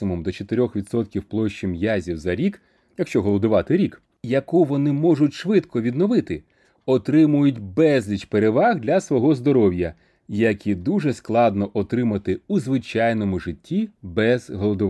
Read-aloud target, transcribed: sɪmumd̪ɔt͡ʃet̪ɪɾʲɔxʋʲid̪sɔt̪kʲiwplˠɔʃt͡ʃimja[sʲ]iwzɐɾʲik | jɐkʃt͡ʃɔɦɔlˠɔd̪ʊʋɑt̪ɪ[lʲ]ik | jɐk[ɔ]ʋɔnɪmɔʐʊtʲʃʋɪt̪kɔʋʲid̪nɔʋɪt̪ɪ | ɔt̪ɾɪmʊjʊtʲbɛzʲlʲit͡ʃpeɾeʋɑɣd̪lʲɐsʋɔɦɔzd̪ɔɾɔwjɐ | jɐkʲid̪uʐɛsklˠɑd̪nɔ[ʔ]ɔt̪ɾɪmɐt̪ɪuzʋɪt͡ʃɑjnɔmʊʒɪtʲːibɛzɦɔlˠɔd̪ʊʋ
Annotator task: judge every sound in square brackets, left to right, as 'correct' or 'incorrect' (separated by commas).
incorrect, incorrect, incorrect, correct